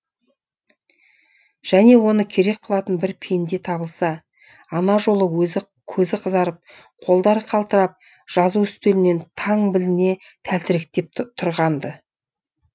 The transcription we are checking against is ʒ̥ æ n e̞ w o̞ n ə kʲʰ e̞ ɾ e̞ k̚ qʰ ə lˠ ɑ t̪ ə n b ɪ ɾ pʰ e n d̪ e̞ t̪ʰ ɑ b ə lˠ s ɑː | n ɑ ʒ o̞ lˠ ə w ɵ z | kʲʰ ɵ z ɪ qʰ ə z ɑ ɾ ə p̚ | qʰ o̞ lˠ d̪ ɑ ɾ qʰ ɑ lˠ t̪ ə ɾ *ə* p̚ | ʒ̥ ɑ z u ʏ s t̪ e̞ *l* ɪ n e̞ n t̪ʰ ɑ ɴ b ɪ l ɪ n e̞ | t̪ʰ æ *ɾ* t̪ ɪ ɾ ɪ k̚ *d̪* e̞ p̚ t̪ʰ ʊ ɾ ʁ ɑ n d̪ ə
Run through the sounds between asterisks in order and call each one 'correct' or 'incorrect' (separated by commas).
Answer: incorrect, correct, incorrect, incorrect